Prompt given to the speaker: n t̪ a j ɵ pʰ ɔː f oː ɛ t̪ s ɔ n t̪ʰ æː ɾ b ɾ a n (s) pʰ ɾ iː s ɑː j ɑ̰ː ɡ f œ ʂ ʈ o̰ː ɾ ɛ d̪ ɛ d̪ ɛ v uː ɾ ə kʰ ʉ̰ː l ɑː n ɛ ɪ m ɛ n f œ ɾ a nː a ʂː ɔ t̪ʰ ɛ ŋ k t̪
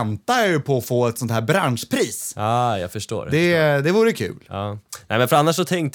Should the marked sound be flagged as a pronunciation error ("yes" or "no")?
yes